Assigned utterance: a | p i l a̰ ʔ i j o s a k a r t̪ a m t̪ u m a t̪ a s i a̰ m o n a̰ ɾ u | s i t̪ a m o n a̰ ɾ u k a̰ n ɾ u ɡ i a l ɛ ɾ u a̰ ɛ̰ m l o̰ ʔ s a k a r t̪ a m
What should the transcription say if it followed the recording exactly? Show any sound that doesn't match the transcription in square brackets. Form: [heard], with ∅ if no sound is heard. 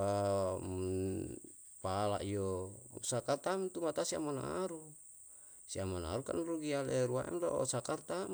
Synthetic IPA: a | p [a] l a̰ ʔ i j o s a k a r t̪ a m t̪ u m a t̪ a s i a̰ m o n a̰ ɾ u | s i [∅] a m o n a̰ ɾ u k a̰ n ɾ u ɡ i a l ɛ ɾ u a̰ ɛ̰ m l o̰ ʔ s a k a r t̪ a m